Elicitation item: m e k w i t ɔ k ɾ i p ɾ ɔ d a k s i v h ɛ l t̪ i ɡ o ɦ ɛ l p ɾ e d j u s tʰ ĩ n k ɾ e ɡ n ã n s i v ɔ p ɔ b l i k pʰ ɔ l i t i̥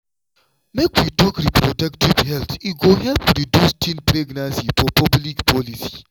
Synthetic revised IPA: m e k w i t ɔ k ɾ i p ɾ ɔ d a k t i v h ɛ l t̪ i ɡ o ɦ ɛ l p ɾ i d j u s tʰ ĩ n p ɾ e ɡ n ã n s i f ɔ p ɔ b l i k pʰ ɔ l i s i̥